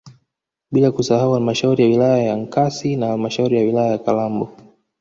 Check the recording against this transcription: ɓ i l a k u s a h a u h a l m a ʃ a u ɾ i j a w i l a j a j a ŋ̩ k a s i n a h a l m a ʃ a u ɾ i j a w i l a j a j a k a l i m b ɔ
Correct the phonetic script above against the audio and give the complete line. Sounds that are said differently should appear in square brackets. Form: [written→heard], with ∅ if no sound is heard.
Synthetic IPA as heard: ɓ i l a k u s a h a u h a l m a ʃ a u ɾ i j a w i l a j a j a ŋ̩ k a s i n a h a l m a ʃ a u ɾ i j a w i l a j a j a k a l [i→a] m b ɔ